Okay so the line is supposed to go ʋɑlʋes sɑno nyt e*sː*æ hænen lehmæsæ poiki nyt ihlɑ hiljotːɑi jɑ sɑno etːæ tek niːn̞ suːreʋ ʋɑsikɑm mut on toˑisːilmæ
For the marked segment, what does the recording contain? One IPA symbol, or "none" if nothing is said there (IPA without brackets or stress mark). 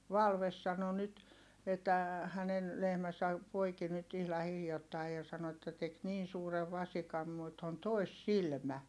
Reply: tː